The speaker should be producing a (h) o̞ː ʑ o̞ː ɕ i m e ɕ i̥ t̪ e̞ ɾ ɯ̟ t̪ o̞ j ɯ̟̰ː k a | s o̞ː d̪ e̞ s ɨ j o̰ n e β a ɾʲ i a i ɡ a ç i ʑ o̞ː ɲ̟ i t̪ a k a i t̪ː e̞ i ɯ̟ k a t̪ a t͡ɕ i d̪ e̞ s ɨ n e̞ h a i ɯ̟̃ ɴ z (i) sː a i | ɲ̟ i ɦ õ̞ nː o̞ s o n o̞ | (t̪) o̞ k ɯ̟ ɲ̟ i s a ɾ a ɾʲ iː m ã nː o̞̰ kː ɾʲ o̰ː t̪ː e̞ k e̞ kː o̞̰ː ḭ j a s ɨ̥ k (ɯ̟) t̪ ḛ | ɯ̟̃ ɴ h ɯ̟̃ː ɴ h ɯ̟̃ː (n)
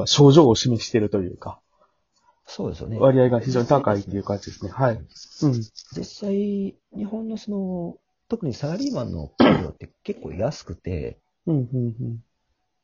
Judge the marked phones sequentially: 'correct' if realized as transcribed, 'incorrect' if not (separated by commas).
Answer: incorrect, correct, correct, correct, incorrect